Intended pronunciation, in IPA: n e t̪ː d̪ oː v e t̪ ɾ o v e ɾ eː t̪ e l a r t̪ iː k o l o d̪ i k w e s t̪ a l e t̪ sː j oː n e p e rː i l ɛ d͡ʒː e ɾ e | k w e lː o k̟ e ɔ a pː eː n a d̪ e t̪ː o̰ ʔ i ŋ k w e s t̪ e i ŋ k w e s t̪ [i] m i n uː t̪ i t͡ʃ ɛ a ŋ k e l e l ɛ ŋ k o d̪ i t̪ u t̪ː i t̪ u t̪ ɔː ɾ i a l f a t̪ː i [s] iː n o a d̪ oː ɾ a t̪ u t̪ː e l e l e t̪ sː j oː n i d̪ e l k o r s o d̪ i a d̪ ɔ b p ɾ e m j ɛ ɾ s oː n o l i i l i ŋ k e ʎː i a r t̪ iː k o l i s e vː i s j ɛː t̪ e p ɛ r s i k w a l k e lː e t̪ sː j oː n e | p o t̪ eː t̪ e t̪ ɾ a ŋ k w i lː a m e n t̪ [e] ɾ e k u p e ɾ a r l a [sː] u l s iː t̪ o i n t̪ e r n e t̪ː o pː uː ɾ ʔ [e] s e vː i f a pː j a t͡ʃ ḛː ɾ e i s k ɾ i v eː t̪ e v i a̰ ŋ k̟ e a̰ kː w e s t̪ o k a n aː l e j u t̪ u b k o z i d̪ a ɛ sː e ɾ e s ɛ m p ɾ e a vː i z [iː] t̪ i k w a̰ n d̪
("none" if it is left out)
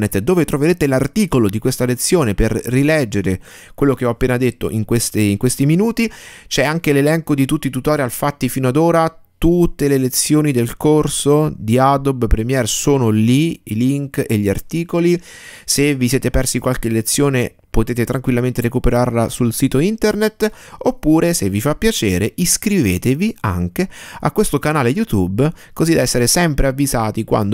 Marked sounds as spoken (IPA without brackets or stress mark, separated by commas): i, f, e, s, e, aː